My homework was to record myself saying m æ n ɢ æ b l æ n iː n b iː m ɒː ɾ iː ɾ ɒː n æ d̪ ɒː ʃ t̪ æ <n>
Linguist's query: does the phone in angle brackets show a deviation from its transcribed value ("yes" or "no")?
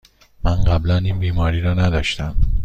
yes